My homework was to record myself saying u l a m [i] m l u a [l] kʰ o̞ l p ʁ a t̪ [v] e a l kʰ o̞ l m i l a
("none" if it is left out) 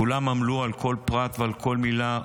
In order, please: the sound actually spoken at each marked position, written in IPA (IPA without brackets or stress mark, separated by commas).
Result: a, l, v